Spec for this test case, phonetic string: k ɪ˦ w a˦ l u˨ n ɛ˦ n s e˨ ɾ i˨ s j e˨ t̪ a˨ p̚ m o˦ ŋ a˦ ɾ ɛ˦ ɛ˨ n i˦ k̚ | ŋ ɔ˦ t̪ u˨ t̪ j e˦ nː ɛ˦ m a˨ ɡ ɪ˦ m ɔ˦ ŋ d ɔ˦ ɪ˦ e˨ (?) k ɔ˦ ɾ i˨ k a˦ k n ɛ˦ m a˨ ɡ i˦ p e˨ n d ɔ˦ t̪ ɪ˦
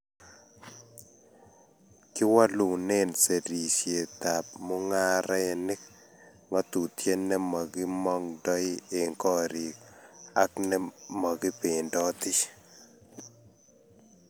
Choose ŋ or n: ŋ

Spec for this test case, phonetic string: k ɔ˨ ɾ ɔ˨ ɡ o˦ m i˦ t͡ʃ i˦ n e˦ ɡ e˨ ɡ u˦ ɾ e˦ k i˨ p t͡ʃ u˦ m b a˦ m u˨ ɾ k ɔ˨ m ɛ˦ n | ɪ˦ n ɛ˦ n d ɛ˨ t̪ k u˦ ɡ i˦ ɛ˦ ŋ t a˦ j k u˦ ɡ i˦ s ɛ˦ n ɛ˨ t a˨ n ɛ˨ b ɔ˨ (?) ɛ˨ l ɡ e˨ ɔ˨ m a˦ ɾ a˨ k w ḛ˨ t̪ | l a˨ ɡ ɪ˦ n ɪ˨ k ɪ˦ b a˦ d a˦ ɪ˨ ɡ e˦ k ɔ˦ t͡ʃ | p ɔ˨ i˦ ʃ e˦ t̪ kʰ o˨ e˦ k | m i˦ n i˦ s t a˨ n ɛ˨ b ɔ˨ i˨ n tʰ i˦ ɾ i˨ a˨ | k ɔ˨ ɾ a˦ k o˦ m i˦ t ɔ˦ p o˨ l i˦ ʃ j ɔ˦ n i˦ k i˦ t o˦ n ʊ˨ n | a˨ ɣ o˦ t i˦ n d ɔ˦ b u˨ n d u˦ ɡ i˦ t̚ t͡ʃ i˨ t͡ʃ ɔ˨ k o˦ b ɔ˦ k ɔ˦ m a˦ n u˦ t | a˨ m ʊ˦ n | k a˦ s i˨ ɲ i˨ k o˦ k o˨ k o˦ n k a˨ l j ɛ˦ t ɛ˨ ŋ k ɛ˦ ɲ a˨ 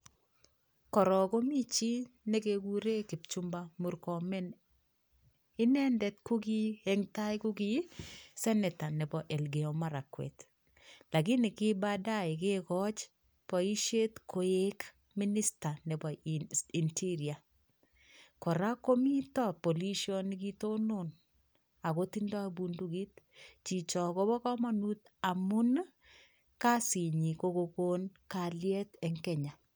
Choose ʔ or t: ʔ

